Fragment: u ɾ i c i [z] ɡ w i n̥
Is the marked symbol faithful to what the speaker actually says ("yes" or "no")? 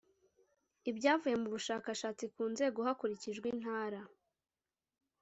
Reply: no